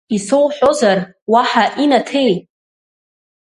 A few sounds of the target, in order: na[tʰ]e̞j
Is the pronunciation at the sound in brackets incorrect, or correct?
correct